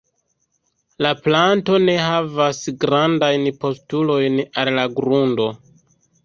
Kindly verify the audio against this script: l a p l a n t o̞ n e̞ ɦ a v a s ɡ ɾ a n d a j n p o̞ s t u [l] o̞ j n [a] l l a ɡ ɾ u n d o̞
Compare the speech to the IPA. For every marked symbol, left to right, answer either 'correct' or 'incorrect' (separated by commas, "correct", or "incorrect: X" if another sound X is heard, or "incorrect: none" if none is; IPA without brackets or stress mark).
correct, correct